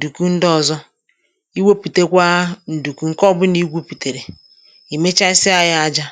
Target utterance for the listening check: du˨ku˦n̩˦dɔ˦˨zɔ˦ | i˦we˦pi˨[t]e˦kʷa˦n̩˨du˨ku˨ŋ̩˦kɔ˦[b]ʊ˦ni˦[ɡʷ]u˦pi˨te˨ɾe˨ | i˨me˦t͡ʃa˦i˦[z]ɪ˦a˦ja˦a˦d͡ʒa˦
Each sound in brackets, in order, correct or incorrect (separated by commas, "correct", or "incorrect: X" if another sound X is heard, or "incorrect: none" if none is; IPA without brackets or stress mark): correct, correct, correct, incorrect: s